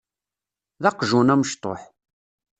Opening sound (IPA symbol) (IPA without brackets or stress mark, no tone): ð